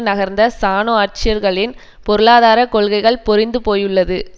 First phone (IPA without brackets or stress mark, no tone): n